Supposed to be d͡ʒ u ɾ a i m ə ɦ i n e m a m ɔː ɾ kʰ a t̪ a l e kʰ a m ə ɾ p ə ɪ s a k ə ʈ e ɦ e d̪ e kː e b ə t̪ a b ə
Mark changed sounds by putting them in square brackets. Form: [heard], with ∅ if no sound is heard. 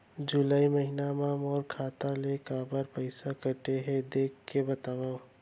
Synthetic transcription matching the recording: d͡ʒ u [l] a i m ə ɦ i n [a] m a m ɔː ɾ kʰ a t̪ a l e [k] a [b] ə ɾ p ə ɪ s a k ə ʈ e ɦ e d̪ e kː e b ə t̪ a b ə